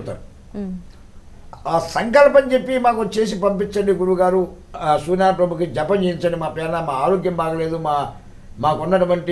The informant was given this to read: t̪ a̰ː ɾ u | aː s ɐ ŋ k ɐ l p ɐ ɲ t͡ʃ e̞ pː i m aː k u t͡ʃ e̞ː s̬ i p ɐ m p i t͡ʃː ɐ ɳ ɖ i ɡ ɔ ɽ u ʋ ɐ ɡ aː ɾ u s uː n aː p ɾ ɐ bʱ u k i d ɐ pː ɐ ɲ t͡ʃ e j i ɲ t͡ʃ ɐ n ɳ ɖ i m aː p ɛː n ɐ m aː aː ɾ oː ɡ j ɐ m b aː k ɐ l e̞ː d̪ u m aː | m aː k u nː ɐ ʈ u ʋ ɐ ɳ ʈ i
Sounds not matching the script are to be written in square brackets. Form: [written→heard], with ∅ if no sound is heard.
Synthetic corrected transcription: t̪ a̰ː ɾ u | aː s ɐ ŋ k ɐ l p ɐ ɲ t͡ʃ e̞ pː i m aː k u t͡ʃ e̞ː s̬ i p ɐ m p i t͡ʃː ɐ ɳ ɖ i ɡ [ɔ→u] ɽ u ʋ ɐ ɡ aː ɾ u s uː n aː p ɾ ɐ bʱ u k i [d→d͡ʒ] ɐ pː ɐ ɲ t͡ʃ e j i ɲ t͡ʃ ɐ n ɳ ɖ i m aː p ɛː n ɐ m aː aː ɾ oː ɡ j ɐ m b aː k ɐ l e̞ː d̪ u m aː | m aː k u nː ɐ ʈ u ʋ ɐ ɳ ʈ i